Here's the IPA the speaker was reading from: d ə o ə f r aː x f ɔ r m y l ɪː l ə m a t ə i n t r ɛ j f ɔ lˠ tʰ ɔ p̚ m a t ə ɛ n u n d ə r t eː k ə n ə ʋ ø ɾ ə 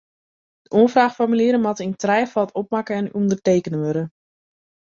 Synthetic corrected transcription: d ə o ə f r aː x f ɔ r m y l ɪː ɾ ə m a t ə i n t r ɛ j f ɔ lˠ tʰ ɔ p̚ m a k ə ɛ n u n d ə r t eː k ə n ə ʋ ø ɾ ə